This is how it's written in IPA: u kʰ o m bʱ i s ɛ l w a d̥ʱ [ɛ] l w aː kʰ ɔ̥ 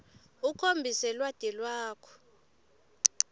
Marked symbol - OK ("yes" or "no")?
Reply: yes